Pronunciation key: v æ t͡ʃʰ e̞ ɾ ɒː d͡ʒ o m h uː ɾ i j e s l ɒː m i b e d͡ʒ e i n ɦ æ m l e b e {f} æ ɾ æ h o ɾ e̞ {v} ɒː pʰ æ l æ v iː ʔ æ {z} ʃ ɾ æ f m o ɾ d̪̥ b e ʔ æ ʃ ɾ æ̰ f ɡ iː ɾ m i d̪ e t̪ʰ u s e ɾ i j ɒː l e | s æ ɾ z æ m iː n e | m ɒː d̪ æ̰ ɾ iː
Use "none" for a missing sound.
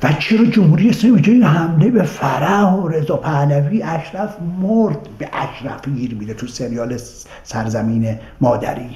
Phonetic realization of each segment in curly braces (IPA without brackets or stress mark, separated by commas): f, z, none